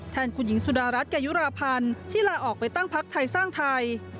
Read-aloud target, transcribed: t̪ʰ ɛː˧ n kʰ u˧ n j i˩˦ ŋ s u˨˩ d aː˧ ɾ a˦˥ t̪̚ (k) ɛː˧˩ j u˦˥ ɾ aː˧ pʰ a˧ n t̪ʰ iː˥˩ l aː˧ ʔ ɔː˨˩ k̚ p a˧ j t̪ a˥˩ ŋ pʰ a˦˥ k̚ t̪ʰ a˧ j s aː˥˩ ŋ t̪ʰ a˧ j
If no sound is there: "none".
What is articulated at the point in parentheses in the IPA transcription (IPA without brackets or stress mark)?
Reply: k